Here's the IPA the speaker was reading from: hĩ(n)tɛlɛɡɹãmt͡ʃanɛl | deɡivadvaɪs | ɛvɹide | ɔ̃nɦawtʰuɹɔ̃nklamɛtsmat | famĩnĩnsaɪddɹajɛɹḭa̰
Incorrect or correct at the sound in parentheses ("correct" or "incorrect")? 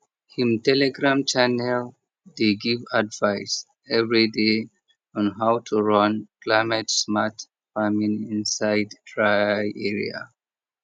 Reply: incorrect